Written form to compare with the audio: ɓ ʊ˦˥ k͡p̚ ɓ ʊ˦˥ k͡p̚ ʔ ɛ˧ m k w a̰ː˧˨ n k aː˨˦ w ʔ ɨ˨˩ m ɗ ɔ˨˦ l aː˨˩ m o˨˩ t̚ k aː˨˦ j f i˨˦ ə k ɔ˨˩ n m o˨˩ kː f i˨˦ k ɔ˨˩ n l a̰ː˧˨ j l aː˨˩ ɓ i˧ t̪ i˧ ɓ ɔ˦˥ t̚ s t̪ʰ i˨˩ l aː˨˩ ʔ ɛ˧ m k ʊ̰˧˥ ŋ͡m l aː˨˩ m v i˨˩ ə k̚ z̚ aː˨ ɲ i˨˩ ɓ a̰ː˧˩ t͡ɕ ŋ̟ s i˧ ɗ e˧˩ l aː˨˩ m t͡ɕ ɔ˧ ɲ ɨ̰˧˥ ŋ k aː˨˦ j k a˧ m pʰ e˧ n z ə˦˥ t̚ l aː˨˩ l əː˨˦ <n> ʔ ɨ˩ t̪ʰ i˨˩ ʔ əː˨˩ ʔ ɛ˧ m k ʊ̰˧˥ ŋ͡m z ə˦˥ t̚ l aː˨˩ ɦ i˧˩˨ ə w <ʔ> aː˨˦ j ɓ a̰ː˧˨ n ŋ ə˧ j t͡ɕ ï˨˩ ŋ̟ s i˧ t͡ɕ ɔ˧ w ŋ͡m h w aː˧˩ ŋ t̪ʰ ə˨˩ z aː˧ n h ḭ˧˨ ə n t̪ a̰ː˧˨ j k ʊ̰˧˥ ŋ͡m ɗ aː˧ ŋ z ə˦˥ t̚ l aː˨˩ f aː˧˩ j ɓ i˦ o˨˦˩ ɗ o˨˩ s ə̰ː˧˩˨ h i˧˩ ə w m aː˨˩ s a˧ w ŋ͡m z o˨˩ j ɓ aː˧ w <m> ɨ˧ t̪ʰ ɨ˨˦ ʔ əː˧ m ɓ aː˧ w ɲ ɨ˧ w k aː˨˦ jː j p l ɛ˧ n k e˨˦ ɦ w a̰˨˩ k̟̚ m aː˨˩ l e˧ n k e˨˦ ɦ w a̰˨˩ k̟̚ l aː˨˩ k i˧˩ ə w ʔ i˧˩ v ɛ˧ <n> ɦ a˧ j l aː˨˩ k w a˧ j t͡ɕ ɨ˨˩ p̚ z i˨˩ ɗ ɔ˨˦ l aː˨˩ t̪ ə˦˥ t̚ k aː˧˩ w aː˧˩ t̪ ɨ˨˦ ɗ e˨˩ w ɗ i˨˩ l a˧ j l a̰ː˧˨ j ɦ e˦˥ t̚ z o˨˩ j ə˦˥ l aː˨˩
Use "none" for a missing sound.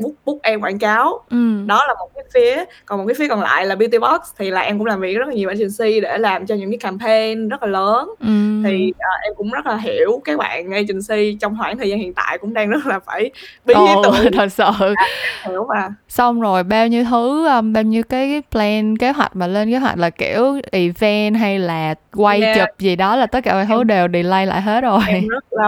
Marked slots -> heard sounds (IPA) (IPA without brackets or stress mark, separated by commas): n, k, ɲ, n